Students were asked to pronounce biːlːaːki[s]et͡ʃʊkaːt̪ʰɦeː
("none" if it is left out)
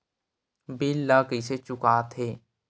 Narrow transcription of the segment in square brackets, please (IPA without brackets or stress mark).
s